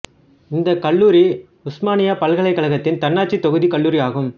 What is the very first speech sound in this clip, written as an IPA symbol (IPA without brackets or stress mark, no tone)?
ɪ